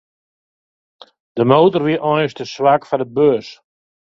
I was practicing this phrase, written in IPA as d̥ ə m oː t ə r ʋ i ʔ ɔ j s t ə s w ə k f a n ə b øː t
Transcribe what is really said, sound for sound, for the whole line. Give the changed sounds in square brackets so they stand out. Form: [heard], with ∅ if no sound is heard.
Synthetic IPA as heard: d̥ ə m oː t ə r ʋ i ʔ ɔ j s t ə s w [a] k f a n ə b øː [s]

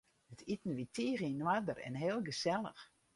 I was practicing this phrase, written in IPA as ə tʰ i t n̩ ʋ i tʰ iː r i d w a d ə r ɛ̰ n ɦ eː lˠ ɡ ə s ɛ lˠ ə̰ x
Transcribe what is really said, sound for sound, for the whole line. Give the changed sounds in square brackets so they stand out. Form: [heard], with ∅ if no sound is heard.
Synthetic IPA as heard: ə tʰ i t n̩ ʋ i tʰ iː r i [n] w a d ə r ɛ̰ n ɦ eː lˠ ɡ ə s ɛ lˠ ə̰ x

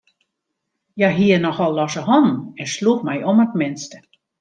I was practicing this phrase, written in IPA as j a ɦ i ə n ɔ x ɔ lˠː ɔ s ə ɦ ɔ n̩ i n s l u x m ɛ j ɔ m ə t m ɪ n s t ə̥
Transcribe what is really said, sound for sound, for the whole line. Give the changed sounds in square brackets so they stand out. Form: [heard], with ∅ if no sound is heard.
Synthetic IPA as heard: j a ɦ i ə n ɔ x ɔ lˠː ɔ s ə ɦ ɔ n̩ [ɛ] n s l u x m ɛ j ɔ m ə t m ɪ n s t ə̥

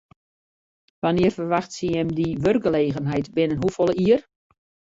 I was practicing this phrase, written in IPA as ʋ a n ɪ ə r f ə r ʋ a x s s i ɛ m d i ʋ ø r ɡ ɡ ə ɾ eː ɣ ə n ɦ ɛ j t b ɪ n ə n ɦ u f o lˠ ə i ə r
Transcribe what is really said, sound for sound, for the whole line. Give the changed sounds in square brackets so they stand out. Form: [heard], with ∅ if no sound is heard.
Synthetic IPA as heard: ʋ a n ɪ ə r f ə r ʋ a x [t] s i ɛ m d i ʋ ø r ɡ ɡ ə [l] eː ɣ ə n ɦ ɛ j t b ɪ n ə n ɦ u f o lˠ ə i ə r

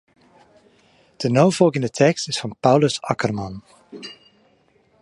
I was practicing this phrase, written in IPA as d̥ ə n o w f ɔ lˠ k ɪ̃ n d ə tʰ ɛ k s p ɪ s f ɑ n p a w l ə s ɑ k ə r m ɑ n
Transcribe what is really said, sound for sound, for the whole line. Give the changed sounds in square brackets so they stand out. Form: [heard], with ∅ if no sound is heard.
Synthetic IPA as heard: d̥ ə n o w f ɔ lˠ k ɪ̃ n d ə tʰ ɛ k s [t] ɪ s f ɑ n p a w l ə s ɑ k ə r m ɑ n

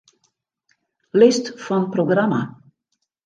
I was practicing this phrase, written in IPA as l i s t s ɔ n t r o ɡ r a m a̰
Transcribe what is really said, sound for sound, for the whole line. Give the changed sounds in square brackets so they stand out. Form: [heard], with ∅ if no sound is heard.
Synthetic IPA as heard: l [ɪ] s t [f] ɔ n [p] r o ɡ r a m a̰

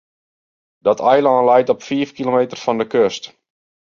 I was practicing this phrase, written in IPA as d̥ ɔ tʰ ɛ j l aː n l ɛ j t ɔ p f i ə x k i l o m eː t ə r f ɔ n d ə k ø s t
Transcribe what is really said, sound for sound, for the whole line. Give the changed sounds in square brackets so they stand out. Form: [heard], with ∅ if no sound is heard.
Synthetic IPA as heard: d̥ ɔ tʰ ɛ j l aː n l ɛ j t ɔ p f i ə [f] k i l o m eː t ə r f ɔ n d ə k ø s t

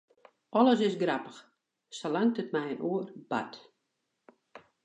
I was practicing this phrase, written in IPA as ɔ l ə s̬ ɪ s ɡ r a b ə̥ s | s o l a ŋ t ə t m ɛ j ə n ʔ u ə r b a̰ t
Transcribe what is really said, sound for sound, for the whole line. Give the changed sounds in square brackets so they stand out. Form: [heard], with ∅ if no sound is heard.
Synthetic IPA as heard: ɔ l ə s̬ ɪ s ɡ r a [p] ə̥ [x] | s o l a ŋ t ə t m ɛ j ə n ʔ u ə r b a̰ t

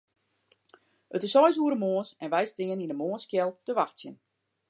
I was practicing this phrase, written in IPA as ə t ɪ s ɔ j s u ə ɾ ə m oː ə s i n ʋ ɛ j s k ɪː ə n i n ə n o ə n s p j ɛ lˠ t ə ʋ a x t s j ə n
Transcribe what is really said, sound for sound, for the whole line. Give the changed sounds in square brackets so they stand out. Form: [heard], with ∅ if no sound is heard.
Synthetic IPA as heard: ə t ɪ s ɔ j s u ə ɾ ə m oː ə s [ɛ] n ʋ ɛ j s [t] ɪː ə n i n ə [m] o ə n s [k] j ɛ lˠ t ə ʋ a x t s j ə n

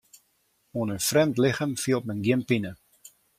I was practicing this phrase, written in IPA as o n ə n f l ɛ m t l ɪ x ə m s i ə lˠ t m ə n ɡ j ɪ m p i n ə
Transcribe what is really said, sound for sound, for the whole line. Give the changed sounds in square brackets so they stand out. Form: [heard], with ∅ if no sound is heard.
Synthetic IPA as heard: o n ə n f [r] ɛ m t l ɪ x ə m [f] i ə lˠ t m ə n ɡ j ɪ m p i n ə

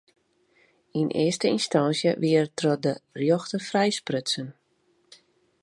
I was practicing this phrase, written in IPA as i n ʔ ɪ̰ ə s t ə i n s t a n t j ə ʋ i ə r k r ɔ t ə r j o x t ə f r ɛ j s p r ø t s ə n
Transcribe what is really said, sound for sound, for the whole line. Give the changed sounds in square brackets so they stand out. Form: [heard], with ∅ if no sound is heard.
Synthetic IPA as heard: i n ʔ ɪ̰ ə s t ə i n s t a n [s] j ə ʋ i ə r [t] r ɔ [d] ə r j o x t ə f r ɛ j s p r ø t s ə n

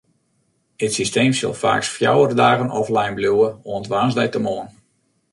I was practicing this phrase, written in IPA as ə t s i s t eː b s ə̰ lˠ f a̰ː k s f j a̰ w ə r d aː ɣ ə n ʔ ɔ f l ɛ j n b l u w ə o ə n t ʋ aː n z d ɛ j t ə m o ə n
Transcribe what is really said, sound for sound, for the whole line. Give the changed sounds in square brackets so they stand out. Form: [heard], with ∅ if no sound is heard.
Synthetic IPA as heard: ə t s i s t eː [m] s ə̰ lˠ f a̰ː k s f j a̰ w ə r d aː ɣ ə n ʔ ɔ f l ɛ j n b l u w ə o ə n t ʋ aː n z d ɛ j t ə m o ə n

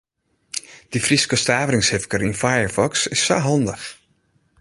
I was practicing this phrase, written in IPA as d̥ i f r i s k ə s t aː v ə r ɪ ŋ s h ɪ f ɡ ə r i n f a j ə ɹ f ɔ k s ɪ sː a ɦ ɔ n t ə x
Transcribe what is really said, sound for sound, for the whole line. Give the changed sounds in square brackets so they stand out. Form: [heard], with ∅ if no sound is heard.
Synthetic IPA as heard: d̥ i f r i s k ə s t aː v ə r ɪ ŋ s h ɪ f [k] ə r i n f a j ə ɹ f ɔ k s ɪ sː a ɦ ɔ n [d] ə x

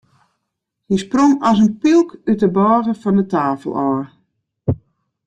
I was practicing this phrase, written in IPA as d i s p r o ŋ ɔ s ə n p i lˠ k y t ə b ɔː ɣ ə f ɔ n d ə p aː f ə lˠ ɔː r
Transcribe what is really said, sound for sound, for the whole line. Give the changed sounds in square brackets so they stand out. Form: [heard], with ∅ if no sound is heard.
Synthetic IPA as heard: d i s p r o ŋ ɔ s ə n p i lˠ k y t ə b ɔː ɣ ə f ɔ n d ə [t] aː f ə lˠ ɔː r

